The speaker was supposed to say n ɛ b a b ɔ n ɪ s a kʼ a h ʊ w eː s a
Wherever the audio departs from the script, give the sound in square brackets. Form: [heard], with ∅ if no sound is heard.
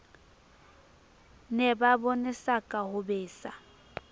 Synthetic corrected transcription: n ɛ b a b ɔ n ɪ s a kʼ a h ʊ [b] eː s a